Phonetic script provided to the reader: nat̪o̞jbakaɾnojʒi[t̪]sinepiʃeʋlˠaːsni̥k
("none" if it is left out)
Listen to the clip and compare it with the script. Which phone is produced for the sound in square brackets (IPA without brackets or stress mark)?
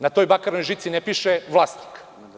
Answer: t̪